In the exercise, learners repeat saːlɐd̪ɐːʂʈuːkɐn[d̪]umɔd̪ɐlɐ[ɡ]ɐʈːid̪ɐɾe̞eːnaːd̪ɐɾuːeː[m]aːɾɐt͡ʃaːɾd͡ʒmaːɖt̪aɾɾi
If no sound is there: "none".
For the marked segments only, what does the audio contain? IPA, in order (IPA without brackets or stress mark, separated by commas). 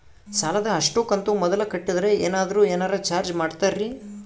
t̪, k, n